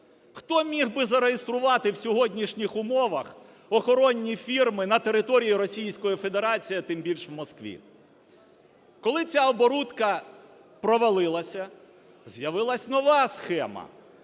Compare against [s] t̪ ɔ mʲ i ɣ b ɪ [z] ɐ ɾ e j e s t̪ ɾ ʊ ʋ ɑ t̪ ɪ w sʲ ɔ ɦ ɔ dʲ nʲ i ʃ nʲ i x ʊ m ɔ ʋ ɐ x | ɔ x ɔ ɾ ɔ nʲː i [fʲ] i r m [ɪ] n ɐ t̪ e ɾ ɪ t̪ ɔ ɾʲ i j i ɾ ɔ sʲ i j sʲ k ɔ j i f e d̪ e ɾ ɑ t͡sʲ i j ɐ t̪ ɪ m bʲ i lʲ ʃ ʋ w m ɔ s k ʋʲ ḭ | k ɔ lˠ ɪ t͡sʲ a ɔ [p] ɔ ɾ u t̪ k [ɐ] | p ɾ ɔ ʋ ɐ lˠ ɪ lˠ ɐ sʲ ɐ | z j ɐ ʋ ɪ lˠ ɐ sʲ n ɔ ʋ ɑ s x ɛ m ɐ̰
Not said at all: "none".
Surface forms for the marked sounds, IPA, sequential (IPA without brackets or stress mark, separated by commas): x, z, fʲ, ɪ, b, ɐ